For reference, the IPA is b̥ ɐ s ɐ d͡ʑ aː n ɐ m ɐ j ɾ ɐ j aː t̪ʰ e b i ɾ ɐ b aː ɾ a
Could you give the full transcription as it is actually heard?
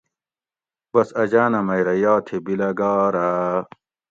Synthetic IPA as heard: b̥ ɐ s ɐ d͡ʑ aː n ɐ m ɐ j ɾ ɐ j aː t̪ʰ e b i l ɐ ɡ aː ɾ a